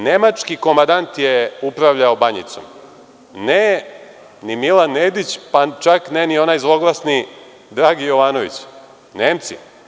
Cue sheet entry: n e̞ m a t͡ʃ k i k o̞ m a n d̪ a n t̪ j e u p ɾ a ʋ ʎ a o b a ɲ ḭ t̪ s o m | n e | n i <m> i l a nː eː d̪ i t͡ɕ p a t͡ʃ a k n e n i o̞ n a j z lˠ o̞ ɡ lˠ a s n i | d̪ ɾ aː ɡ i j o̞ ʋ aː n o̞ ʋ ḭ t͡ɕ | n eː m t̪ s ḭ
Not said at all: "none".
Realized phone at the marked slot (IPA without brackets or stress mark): m